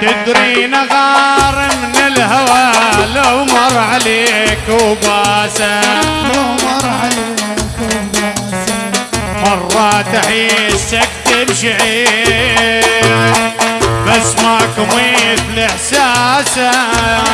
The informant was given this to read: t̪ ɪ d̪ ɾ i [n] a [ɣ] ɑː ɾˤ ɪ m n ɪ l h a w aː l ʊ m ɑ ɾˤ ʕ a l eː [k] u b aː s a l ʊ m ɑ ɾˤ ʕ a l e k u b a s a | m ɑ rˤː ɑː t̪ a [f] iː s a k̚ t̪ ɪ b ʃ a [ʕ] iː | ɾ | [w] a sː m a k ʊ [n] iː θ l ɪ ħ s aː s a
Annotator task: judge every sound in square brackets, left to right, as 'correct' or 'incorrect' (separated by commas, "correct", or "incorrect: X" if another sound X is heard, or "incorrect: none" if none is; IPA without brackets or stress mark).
correct, correct, correct, incorrect: ħ, correct, incorrect: b, incorrect: m